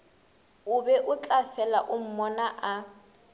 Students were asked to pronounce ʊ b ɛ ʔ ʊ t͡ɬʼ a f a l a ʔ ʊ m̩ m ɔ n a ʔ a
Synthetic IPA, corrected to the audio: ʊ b ɛ ʔ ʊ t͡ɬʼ a f ɛ l a ʔ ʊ m̩ m ɔ n a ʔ a